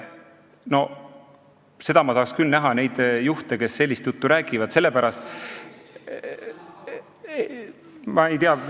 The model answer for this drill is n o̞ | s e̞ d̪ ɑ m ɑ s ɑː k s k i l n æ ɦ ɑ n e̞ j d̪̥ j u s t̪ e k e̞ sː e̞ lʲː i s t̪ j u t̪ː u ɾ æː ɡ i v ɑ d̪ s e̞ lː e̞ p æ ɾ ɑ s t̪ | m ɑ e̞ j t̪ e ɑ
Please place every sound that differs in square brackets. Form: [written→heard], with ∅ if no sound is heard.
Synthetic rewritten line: n o̞ | s e̞ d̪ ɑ m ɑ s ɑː k s k [i→y] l n æ ɦ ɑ n e̞ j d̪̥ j u [s→h] t̪ e k e̞ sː e̞ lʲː i s t̪ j u t̪ː u ɾ æː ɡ i v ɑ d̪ s e̞ lː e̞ p æ ɾ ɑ s t̪ | m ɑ e̞ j t̪ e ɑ